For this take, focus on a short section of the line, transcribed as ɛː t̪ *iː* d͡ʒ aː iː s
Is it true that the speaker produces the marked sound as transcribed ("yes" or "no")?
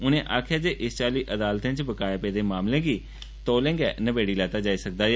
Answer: no